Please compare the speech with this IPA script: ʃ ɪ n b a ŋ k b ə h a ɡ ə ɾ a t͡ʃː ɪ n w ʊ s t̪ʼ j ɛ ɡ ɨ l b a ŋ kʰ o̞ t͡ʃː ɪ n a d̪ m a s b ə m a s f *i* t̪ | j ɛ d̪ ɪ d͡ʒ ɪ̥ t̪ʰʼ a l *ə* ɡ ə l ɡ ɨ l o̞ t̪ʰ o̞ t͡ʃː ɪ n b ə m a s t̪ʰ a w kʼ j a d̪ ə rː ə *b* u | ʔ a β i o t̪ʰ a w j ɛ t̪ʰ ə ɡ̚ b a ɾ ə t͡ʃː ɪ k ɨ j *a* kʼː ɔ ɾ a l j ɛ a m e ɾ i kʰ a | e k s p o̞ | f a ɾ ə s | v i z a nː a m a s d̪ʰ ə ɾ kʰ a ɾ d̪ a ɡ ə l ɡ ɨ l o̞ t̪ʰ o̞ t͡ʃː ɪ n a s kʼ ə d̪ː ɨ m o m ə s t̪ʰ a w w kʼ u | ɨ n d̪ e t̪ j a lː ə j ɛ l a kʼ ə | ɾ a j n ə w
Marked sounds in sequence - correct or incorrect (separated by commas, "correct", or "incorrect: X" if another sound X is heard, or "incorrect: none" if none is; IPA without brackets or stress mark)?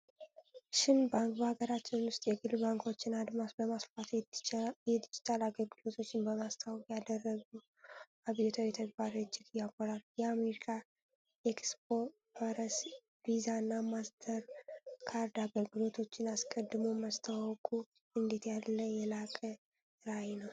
incorrect: a, incorrect: a, incorrect: ɡ, correct